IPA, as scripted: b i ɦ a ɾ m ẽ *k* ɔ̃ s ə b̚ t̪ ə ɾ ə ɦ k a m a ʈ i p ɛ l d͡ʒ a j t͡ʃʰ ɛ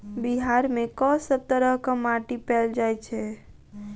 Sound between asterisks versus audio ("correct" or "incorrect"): correct